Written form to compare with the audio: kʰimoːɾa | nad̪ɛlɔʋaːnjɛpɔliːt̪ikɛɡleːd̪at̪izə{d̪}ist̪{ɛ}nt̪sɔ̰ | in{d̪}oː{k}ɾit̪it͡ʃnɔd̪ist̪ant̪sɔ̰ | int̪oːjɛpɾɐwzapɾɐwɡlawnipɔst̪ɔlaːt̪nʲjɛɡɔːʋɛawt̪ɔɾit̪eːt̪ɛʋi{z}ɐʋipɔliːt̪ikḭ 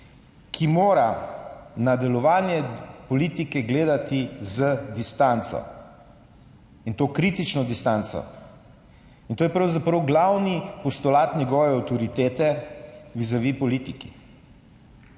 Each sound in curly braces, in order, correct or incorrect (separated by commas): correct, incorrect, incorrect, correct, correct